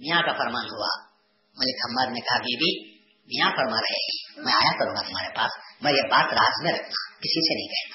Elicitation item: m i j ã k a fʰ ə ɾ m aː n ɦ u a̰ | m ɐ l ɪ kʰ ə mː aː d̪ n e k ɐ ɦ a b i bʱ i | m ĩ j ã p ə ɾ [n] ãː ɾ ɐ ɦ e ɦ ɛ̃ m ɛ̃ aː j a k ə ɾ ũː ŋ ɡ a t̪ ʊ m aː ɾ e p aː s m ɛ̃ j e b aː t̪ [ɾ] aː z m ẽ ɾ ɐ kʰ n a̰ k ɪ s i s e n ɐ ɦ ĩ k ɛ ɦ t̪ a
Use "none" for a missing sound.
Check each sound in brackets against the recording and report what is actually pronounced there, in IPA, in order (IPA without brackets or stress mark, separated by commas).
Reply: m, ɾ